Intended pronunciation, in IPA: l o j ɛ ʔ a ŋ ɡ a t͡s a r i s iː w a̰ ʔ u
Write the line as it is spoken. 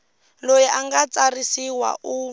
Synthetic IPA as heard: l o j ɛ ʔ a ŋ ɡ a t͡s a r i s i w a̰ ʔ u